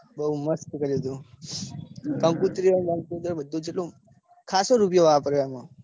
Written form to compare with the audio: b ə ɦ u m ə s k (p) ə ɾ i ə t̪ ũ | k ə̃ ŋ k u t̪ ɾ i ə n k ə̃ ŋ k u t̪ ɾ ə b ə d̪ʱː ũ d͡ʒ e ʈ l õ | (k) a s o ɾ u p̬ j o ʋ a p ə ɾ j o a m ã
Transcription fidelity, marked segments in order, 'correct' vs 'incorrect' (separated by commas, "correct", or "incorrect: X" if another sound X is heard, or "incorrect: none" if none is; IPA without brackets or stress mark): incorrect: k, incorrect: kʰ